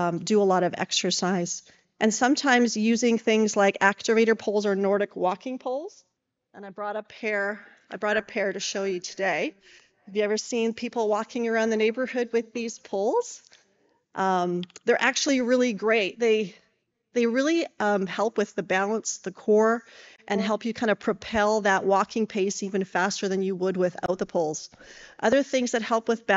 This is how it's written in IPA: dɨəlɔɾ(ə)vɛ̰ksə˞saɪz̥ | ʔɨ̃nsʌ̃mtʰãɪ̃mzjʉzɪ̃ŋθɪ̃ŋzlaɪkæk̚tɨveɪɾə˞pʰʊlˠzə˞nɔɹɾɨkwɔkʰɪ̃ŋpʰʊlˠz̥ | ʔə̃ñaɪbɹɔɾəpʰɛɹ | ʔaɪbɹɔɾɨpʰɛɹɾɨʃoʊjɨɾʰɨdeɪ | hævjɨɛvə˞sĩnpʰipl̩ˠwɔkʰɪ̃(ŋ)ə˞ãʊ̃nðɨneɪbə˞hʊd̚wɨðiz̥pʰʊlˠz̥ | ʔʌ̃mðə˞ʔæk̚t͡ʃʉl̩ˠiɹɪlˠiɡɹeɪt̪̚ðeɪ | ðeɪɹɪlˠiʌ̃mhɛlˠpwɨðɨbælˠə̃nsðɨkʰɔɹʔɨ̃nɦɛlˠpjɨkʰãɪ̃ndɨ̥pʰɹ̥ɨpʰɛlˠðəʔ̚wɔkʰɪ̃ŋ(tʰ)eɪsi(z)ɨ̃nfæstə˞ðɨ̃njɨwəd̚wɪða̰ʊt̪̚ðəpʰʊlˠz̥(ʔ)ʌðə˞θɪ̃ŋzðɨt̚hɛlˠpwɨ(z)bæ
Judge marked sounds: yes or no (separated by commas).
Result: no, yes, no, no, yes, no